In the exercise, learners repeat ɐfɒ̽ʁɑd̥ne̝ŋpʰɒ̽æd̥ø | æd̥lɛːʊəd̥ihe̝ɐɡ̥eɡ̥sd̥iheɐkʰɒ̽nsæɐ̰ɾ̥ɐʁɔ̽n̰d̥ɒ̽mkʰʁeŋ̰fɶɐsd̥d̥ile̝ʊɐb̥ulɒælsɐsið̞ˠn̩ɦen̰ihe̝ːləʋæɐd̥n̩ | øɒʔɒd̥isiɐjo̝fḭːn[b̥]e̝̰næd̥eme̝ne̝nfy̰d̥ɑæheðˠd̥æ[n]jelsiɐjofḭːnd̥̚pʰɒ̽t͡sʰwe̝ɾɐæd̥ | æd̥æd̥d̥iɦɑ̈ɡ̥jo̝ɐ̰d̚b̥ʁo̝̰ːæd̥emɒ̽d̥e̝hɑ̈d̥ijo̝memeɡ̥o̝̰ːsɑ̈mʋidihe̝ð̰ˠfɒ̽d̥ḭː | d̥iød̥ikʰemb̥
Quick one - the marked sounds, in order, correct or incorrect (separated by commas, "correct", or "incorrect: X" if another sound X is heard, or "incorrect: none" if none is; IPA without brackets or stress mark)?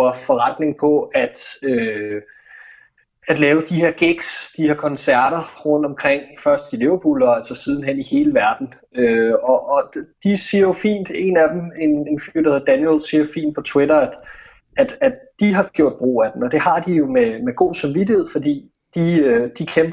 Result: incorrect: d̥, correct